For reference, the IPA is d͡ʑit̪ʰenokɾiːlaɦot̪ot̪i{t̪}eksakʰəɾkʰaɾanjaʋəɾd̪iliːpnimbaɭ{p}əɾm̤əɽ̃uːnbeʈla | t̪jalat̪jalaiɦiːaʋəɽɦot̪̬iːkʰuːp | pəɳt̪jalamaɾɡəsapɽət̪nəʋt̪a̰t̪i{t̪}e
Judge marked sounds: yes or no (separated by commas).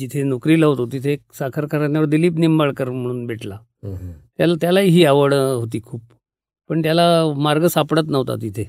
no, no, no